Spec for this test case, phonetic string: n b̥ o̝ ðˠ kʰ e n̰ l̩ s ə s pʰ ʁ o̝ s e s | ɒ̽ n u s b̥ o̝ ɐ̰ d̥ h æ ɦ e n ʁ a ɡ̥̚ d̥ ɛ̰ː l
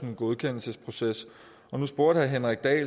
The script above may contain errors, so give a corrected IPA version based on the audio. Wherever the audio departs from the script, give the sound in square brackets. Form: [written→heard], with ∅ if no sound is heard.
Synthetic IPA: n [b̥→ɡ̥] o̝ ðˠ kʰ e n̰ l̩ s ə s pʰ ʁ o̝ s e s | ɒ̽ n u s b̥ o̝ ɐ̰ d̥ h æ ɦ e n ʁ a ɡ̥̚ d̥ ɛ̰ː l